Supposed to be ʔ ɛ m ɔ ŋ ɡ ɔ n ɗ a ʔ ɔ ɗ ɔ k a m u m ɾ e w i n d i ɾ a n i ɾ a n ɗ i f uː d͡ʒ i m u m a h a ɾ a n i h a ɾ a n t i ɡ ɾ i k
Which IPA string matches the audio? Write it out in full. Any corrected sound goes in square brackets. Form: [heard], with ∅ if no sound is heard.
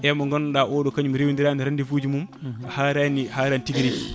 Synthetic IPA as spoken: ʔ ɛ m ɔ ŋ ɡ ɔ n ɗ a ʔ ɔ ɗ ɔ k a [ɲ] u m ɾ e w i n d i ɾ a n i ɾ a n [d] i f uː d͡ʒ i m u m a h a ɾ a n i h a ɾ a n t i ɡ ɾ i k